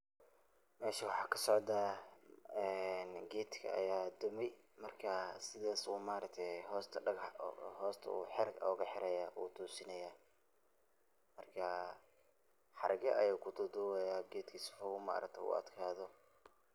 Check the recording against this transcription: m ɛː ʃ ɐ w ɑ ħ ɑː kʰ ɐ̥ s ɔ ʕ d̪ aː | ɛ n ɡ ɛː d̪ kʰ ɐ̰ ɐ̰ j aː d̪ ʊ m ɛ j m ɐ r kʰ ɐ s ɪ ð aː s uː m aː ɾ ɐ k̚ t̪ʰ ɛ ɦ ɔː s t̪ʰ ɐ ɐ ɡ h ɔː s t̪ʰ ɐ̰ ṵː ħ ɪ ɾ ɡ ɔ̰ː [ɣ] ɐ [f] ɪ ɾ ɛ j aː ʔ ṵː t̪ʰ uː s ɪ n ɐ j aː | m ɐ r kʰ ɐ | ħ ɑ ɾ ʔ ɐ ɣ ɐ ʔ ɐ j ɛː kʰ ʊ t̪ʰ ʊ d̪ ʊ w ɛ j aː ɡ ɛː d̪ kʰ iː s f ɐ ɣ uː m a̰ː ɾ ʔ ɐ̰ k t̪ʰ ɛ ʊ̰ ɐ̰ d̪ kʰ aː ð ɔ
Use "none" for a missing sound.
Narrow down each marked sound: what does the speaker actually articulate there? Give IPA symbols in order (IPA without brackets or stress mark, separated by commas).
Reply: ɣ, ħ